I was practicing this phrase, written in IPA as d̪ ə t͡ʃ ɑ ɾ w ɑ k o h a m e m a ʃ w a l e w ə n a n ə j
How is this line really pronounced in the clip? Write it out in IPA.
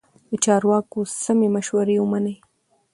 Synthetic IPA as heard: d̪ ə t͡ʃ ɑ ɾ w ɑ k o s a m e m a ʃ w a ɾ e w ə m a n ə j